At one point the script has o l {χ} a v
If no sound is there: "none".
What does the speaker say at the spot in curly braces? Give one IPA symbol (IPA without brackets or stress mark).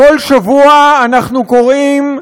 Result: ʃ